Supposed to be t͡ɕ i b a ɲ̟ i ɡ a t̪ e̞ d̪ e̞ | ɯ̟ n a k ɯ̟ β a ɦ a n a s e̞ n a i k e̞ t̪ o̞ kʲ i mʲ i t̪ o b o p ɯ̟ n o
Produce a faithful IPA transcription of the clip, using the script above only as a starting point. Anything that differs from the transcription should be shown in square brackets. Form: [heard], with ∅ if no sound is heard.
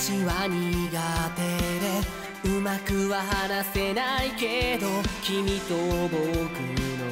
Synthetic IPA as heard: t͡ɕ i [β] a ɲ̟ i ɡ a t̪ e̞ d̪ e̞ | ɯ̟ [m] a k ɯ̟ β a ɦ a n a s e̞ n a i k e̞ [d̪] o̞ kʲ i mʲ i t̪ o b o [k] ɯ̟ n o